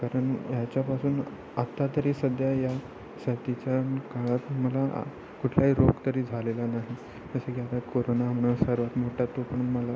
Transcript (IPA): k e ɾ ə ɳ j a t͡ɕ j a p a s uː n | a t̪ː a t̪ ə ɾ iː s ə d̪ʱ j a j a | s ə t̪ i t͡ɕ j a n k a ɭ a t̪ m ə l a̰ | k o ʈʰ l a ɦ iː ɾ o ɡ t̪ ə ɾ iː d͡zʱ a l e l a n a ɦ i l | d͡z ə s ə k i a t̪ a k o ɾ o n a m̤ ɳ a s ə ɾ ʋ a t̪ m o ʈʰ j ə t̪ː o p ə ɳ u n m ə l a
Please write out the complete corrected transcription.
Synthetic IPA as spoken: k a ɾ ə ɳ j a t͡ɕ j a p a s uː n | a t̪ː a t̪ ə ɾ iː s ə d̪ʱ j a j a | s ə t̪ i t͡ɕ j a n k a ɭ a t̪ m ə l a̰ | k u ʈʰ l a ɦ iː ɾ o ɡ t̪ ə ɾ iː d͡zʱ a l e l a n a ɦ i | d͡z ə s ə k i a t̪ a k o ɾ o n a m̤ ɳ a s ə ɾ ʋ a t̪ m o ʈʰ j a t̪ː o p ə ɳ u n m ə l a